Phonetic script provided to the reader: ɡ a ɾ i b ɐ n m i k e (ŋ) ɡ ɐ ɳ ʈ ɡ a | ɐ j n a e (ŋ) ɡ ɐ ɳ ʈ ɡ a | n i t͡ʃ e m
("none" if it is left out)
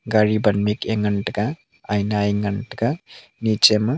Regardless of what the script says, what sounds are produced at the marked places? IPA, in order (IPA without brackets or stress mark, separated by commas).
ŋ, ŋ